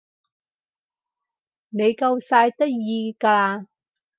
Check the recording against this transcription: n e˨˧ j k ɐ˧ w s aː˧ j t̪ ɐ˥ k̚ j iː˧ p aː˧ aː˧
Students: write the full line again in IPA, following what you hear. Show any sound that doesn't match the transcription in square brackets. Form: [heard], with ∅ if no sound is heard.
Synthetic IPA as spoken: n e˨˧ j k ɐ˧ w s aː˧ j t̪ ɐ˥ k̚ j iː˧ [k] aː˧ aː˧